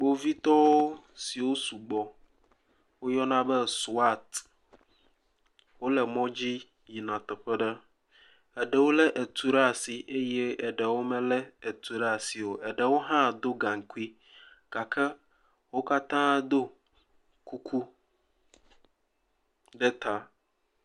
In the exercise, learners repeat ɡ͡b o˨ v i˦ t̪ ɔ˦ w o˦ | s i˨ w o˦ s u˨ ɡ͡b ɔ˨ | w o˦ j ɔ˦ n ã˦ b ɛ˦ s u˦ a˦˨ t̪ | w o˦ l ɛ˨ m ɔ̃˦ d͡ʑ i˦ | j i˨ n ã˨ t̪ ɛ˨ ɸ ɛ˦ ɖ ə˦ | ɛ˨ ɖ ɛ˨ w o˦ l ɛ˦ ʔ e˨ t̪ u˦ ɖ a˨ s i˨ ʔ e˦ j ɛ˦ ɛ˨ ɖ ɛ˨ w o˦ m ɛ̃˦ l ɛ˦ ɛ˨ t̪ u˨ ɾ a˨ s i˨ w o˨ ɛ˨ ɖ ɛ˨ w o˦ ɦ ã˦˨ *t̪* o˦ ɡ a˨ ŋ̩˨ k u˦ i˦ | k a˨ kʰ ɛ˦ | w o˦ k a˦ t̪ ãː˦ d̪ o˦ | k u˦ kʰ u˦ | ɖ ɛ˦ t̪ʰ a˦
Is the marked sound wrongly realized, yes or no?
yes